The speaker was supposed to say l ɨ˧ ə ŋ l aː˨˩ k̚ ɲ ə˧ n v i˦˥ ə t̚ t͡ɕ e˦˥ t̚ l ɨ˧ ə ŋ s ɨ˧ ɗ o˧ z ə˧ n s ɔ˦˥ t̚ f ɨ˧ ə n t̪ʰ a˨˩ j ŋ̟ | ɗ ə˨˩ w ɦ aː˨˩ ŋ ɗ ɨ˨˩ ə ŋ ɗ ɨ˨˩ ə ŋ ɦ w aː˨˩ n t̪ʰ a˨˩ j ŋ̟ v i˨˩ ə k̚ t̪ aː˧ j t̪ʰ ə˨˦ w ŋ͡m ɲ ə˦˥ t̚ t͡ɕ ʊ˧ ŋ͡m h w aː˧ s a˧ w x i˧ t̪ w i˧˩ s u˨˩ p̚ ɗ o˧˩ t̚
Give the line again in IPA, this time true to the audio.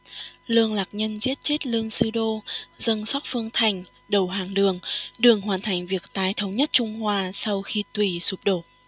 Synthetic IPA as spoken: l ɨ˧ ə ŋ l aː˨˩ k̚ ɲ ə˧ n z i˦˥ ə t̚ t͡ɕ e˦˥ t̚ l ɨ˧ ə ŋ s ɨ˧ ɗ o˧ z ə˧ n s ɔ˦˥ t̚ f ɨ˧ ə ŋ t̪ʰ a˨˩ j ŋ̟ | ɗ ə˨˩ w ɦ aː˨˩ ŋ ɗ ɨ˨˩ ə ŋ ɗ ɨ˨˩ ə ŋ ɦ w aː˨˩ n t̪ʰ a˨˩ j ŋ̟ v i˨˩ ə k̚ t̪ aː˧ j t̪ʰ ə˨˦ w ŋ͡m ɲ ə˦˥ t̚ t͡ɕ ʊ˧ ŋ͡m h w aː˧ s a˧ w x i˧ t̪ w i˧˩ s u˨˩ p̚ ɗ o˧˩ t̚